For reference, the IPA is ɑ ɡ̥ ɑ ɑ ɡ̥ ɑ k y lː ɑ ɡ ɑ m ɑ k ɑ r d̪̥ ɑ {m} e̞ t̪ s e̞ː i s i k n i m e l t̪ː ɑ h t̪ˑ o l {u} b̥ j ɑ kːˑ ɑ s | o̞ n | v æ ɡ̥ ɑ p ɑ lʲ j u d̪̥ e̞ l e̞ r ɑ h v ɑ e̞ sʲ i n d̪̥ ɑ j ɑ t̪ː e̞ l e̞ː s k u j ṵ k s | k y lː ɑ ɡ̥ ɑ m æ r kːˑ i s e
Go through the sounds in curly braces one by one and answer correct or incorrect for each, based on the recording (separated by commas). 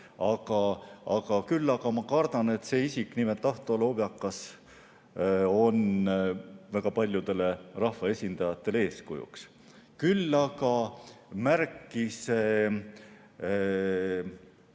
incorrect, incorrect